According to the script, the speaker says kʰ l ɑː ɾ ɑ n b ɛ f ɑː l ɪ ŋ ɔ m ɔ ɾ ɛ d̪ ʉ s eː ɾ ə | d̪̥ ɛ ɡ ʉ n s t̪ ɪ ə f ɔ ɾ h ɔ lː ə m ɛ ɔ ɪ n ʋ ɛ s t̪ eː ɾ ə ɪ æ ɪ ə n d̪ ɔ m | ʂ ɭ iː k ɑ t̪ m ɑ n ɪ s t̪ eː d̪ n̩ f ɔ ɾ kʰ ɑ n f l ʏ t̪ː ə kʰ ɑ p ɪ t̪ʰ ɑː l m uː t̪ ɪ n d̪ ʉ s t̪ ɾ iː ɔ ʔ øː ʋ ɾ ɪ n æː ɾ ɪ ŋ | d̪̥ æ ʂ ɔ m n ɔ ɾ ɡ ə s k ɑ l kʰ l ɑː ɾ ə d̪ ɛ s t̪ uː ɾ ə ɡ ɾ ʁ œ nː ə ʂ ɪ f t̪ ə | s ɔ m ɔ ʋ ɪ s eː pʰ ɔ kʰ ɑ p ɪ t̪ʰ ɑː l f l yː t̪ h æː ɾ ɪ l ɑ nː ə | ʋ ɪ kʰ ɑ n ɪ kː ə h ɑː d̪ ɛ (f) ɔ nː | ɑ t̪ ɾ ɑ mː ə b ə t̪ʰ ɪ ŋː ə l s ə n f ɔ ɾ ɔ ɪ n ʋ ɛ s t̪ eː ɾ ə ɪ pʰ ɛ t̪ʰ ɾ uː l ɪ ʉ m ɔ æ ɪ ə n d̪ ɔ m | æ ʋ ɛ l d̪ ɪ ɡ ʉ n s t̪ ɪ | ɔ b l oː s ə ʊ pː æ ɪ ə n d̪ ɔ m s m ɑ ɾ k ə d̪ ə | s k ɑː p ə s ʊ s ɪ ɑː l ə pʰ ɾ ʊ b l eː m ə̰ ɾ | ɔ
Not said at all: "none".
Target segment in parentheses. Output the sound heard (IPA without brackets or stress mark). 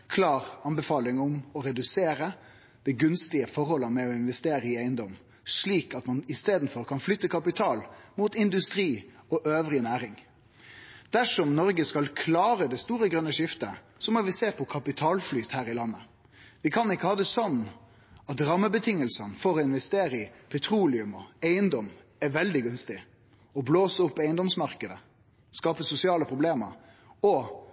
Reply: s